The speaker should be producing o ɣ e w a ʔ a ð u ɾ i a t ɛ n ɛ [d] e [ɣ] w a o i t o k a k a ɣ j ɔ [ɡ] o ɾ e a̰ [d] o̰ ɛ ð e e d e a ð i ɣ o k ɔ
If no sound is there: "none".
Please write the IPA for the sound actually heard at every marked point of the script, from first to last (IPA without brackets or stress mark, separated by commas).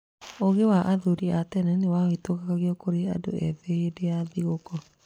n, none, k, d